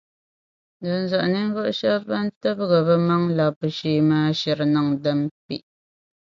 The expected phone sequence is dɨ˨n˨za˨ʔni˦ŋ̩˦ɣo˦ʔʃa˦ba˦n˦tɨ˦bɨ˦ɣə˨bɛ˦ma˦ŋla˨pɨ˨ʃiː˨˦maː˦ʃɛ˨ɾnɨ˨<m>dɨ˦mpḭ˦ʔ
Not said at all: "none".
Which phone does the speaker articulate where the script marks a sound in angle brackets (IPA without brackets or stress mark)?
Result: ŋ